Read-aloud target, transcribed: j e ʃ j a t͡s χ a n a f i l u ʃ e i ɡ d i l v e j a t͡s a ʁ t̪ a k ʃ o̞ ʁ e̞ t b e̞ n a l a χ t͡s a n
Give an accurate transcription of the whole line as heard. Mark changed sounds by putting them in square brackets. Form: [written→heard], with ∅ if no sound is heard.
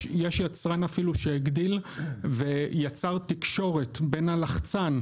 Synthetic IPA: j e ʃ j a t͡s [χ→ʁ] a n a f i l u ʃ e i ɡ d i l v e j a t͡s a ʁ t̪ [a→i] k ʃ o̞ ʁ e̞ t b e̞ n a l a χ t͡s a n